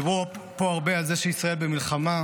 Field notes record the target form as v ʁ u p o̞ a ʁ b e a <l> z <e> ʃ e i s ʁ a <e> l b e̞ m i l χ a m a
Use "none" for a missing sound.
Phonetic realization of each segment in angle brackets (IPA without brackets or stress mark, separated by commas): l, e, e